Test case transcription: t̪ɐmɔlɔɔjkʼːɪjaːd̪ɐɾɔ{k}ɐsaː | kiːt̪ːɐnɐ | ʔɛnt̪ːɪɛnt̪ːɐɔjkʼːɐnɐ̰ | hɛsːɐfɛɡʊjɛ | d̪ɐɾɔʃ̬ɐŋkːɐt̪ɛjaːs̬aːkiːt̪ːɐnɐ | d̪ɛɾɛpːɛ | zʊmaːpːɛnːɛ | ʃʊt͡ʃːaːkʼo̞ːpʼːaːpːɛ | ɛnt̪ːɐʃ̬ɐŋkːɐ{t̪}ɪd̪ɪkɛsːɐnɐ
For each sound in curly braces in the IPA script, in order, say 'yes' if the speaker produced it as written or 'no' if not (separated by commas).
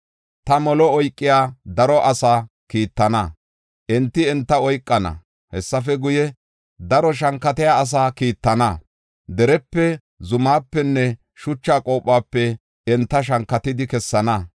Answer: no, yes